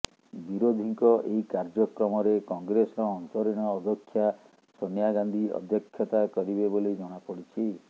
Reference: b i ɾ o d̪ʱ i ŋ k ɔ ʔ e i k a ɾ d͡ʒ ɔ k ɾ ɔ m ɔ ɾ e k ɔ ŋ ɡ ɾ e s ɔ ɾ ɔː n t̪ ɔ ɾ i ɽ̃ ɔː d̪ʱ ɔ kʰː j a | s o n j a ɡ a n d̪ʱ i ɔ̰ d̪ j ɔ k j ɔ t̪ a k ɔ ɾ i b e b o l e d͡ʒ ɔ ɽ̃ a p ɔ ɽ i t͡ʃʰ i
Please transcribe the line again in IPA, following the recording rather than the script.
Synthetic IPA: b i ɾ o d̪ʱ i ŋ k ɔ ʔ e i k a ɾ d͡ʒ ɔ k ɾ ɔ m ɔ ɾ e k ɔ ŋ ɡ ɾ e s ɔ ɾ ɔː n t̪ ɔ ɾ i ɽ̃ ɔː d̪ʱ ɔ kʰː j a | s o n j a ɡ a n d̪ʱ i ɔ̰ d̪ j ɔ kʰ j ɔ t̪ a k ɔ ɾ i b e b o l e d͡ʒ ɔ ɽ̃ a p ɔ ɽ i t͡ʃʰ i